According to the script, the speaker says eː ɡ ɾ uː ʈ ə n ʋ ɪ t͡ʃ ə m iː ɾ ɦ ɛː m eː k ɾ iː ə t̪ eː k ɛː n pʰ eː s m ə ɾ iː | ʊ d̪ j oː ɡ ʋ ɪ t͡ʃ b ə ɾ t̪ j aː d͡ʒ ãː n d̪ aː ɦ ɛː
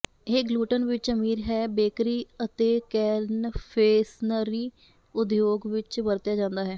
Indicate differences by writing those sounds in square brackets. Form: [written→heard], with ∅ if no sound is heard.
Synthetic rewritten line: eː ɡ [ɾ→l] uː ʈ ə n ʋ ɪ t͡ʃ ə m iː ɾ ɦ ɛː [m→b] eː k ɾ iː ə t̪ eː k ɛː n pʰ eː s [m→n] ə ɾ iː | ʊ d̪ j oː ɡ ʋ ɪ t͡ʃ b ə ɾ t̪ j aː d͡ʒ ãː n d̪ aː ɦ ɛː